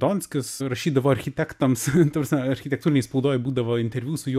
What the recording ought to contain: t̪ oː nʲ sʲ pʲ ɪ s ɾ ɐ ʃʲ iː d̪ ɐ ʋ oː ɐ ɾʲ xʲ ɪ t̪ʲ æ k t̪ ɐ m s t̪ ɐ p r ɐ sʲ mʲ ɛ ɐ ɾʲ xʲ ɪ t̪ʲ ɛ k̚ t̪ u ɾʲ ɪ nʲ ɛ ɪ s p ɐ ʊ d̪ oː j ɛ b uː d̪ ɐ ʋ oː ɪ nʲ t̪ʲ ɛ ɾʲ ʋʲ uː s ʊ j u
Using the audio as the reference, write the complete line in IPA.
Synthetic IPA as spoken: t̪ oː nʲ sʲ kʲ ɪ s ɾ ɐ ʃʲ iː d̪ ɐ ʋ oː ɐ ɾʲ xʲ ɪ t̪ʲ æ k t̪ ɐ m s t̪ ɐ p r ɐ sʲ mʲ ɛ ɐ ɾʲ xʲ ɪ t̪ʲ ɛ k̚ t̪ u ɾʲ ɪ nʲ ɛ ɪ s p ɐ ʊ d̪ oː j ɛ b uː d̪ ɐ ʋ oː ɪ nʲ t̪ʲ ɛ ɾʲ ʋʲ uː s ʊ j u